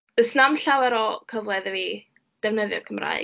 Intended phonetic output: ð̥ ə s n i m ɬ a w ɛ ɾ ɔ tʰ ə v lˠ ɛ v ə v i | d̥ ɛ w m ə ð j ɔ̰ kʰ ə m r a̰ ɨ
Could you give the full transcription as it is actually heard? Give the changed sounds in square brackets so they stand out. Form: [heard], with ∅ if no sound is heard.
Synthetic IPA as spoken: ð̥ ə s n [a] m ɬ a w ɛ ɾ ɔ [kʰ] ə v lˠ ɛ [ð] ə v i | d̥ ɛ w [n] ə ð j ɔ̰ kʰ ə m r a̰ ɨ